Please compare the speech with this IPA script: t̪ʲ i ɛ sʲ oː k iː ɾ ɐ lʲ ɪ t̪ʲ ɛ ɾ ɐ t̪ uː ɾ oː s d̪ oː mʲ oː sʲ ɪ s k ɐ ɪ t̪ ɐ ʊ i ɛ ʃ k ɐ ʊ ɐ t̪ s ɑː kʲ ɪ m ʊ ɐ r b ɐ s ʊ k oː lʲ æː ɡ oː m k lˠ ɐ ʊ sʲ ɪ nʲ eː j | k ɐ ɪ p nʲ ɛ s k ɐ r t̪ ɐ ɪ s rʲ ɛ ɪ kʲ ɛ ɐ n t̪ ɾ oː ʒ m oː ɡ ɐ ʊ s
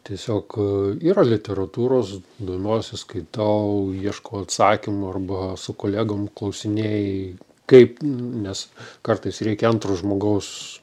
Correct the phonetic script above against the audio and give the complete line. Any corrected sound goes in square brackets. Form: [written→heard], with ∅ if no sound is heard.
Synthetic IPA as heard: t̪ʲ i ɛ sʲ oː k iː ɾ ɐ lʲ ɪ t̪ʲ ɛ ɾ ɐ t̪ uː ɾ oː s d̪ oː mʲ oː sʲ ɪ s k ɐ ɪ t̪ ɐ ʊ i ɛ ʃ k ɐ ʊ ɐ t̪ s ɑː kʲ ɪ m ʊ ɐ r b ɐ s ʊ k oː lʲ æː ɡ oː m k lˠ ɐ ʊ sʲ ɪ nʲ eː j | k ɐ ɪ p nʲ ɛ s k ɐ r t̪ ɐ ɪ s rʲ ɛ ɪ kʲ ɛ ɐ n t̪ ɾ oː ʒ m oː ɡ ɐ ʊ s